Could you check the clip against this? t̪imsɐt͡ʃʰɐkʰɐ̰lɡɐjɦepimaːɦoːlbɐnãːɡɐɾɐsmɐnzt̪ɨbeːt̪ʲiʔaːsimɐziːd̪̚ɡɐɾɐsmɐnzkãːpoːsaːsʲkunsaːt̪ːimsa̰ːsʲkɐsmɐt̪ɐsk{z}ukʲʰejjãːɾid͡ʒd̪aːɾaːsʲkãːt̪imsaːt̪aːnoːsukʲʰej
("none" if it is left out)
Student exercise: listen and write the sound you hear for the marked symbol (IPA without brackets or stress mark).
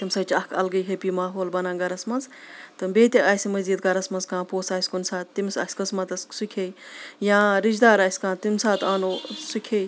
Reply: s